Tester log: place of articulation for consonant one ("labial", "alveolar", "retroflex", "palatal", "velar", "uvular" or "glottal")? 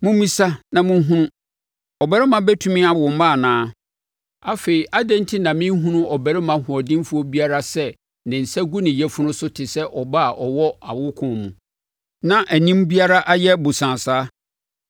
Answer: labial